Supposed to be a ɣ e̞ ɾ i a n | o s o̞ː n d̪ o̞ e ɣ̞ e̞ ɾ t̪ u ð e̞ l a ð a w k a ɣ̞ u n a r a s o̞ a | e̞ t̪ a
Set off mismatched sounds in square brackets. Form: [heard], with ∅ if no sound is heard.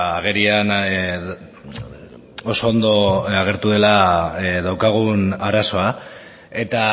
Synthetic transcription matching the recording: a ɣ e̞ ɾ i a n | o s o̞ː n d̪ o̞ [a] ɣ̞ e̞ ɾ t̪ u ð e̞ l a ð a w k a ɣ̞ u n a [ɾ] a s o̞ a | e̞ t̪ a